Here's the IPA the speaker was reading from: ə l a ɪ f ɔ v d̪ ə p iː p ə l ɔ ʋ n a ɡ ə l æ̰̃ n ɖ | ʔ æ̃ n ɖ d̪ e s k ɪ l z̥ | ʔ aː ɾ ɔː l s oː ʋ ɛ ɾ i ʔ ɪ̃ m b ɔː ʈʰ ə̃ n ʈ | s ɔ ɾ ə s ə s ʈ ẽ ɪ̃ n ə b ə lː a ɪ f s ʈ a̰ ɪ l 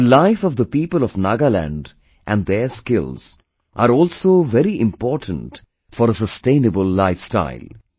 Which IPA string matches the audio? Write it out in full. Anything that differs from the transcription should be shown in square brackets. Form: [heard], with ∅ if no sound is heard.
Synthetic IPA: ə l a ɪ f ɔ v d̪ ə p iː p ə l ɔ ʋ n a ɡ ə l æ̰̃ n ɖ | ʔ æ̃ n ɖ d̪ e s k ɪ l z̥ | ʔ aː ɾ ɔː l s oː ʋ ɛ ɾ i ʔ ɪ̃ m [p] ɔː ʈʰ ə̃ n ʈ | [f] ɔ ɾ ə s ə s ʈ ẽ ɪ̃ n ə b ə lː a ɪ f s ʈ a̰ ɪ l